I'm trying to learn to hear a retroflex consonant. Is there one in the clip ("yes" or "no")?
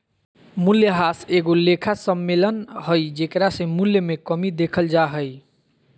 no